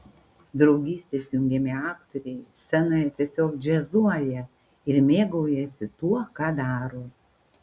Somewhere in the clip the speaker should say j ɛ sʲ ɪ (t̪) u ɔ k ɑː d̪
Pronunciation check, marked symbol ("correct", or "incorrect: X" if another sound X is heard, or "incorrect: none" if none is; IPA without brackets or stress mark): correct